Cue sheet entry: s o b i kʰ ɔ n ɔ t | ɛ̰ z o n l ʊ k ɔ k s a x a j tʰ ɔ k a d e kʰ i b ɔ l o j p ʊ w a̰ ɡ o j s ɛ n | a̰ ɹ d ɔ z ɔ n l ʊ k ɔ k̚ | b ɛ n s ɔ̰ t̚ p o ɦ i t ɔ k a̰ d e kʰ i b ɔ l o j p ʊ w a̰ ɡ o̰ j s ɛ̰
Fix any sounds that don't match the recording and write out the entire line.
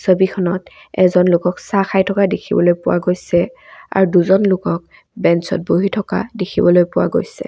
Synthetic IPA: s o b i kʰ ɔ n ɔ t | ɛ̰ z ɔ n l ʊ k ɔ k s a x a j tʰ ɔ k a d e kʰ i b ɔ l o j p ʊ w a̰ ɡ o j s ɛ | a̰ ɹ d u z ɔ n l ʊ k ɔ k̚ | b ɛ n s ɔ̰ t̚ b o ɦ i tʰ ɔ k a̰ d e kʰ i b ɔ l o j p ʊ w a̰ ɡ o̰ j s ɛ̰